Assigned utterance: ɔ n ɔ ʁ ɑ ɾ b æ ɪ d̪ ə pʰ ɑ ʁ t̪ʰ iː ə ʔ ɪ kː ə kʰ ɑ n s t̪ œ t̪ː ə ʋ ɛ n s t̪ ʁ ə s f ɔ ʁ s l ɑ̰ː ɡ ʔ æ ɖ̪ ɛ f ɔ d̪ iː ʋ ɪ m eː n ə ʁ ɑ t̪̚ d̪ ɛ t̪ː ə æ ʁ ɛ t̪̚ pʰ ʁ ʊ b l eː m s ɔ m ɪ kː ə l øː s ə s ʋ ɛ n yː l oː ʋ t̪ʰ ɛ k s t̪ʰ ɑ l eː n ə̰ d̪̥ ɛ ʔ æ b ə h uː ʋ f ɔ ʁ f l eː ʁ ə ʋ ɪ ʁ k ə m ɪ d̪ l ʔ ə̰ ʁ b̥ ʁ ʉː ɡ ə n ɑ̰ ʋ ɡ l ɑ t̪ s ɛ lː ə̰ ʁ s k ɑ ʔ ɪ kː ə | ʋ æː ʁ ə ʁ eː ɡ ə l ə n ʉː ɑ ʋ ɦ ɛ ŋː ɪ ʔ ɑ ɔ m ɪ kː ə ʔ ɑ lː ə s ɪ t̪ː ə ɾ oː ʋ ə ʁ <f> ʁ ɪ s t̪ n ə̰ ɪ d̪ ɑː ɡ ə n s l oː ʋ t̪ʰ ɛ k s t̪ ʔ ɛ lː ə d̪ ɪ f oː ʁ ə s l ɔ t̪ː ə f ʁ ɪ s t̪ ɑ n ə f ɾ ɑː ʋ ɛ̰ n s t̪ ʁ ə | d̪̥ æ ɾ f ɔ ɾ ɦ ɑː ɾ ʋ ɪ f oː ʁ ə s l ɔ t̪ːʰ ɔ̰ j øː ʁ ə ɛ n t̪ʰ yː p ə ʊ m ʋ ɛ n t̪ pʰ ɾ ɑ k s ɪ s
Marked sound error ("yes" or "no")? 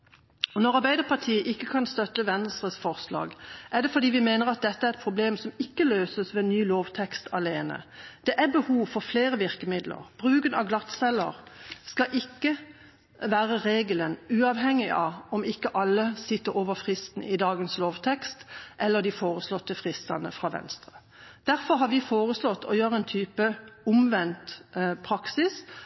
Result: no